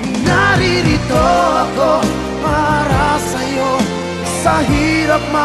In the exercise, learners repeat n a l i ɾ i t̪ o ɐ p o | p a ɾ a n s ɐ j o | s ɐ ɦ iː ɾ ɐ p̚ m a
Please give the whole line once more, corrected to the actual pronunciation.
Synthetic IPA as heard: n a ɾ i ɾ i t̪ o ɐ k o | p a ɾ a s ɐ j o | s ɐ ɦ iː ɾ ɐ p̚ m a